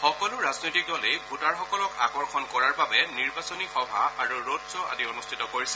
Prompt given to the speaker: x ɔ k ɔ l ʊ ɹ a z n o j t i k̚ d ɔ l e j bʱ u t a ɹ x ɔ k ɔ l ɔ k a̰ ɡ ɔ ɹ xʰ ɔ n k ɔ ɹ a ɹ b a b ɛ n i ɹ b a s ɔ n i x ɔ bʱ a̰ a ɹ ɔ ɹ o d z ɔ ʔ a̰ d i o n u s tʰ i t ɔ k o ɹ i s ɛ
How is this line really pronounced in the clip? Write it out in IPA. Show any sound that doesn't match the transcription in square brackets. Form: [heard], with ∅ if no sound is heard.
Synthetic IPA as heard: x ɔ k ɔ l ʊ ɹ a z n o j t i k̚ d ɔ l e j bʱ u t a ɹ x ɔ k ɔ l ɔ k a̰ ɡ ɔ ɹ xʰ ɔ n k ɔ ɹ a ɹ b a b ɛ n i ɹ b a s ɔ n i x ɔ bʱ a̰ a ɹ [u] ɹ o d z ɔ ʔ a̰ d i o n u s tʰ i t ɔ k o ɹ i s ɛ